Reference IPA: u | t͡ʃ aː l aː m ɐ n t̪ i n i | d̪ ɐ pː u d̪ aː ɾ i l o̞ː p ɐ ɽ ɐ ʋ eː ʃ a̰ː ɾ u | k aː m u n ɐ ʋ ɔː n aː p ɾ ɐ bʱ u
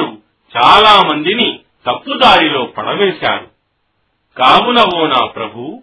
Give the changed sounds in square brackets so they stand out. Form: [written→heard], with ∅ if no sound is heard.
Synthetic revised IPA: u | t͡ʃ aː l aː m ɐ n [t̪→d̪] i n i | [d̪→t̪] ɐ pː u d̪ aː ɾ i l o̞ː p ɐ ɽ ɐ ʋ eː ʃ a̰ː ɾ u | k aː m u n ɐ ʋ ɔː n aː p ɾ ɐ bʱ u